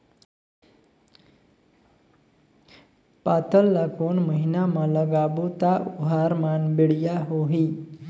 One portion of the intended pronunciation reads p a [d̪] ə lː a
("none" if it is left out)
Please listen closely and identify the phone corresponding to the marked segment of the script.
t̪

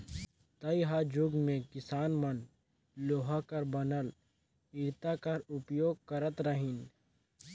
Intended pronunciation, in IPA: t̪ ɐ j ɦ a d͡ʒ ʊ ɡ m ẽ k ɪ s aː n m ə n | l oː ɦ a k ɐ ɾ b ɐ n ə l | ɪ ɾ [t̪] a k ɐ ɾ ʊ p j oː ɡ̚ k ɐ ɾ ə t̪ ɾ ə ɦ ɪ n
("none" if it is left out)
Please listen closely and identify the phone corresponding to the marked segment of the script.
t̪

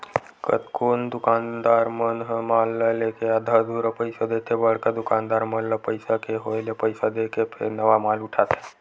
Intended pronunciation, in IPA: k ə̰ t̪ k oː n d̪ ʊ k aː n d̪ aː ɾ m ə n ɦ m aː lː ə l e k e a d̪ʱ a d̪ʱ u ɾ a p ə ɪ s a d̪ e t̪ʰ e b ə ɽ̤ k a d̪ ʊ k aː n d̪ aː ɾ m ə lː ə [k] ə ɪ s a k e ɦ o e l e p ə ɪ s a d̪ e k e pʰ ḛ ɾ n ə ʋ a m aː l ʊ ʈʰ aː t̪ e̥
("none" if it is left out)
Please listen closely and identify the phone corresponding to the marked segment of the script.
p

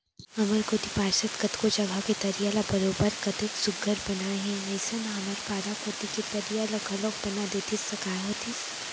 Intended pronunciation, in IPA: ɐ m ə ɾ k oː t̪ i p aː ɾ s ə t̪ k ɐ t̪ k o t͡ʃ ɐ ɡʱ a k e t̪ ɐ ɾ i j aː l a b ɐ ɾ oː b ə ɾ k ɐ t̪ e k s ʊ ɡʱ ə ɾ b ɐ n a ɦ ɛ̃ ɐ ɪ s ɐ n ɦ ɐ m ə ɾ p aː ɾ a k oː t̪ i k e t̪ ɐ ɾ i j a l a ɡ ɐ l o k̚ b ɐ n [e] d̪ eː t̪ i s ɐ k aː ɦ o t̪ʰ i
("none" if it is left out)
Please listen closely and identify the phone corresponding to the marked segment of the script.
a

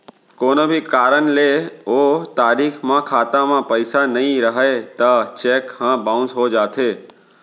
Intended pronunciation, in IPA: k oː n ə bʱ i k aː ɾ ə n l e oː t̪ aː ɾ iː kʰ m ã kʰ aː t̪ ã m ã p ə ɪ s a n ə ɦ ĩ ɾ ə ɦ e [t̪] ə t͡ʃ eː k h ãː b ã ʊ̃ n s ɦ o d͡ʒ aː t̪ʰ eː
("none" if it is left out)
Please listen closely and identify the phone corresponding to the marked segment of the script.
t̪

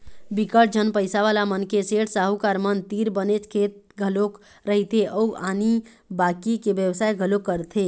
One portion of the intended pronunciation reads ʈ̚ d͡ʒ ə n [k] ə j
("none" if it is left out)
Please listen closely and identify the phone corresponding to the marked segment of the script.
p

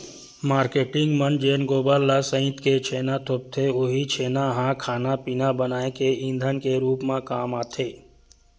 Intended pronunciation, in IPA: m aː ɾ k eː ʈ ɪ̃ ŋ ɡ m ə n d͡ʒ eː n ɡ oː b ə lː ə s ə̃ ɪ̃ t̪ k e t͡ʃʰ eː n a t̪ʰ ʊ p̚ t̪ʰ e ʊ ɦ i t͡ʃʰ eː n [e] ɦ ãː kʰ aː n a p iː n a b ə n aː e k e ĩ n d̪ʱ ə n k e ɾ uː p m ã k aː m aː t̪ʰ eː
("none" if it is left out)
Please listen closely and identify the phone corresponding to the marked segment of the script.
a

